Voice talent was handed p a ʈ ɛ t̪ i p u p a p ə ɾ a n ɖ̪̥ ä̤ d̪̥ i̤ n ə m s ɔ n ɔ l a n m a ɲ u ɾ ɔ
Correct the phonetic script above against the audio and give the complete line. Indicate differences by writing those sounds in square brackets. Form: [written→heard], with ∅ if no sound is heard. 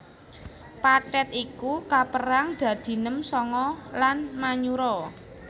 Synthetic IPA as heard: p a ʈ ɛ t̪ i [p→k] u [p→k] a p ə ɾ a [n→ŋ] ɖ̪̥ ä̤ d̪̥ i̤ n ə m s ɔ [n→ŋ] ɔ l a n m a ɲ u ɾ ɔ